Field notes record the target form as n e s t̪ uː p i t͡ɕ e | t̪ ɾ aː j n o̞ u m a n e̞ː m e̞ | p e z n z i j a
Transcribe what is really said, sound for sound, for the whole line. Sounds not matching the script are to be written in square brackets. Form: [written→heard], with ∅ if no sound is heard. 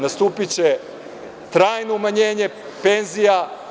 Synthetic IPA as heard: n [e→a] s t̪ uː p i t͡ɕ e | t̪ ɾ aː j n o̞ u m a [n→ɲ] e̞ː [m→ɲ] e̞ | p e [z→∅] n z i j a